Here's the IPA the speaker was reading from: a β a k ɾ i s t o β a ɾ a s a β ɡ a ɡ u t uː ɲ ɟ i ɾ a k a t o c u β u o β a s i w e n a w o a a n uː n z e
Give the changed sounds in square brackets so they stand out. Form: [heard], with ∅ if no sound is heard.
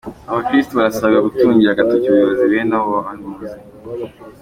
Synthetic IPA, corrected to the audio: a β a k ɾ i s t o β a ɾ a s a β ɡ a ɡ u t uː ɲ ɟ i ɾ a [ɡ] a t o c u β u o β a [z] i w e n a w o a a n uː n z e